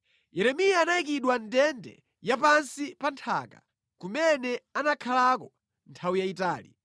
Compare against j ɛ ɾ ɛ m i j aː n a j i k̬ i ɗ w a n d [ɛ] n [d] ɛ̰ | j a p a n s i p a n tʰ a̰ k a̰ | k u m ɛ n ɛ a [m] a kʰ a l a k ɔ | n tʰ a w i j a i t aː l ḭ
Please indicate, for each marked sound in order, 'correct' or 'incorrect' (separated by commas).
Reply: correct, correct, incorrect